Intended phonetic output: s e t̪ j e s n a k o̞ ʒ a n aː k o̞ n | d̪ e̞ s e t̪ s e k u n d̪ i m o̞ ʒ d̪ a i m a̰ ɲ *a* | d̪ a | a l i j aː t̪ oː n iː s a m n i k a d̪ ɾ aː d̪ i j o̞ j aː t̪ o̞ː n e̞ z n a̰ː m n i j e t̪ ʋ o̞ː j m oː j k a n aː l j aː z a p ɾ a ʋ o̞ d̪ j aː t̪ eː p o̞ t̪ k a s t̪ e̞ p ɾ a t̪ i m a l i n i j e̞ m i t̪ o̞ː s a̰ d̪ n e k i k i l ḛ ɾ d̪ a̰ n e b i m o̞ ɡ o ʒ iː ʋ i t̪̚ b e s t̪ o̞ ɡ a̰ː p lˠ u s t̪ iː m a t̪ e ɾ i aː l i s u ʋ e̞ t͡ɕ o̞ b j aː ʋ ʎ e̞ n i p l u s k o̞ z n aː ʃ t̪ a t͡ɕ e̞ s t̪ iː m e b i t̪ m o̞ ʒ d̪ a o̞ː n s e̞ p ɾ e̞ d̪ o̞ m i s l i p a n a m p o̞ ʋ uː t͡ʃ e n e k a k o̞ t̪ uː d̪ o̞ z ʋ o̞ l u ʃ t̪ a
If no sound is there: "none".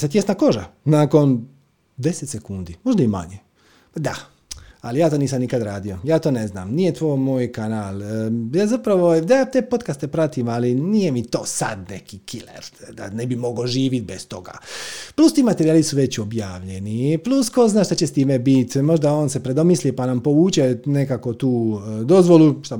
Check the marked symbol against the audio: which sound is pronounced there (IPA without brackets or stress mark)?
e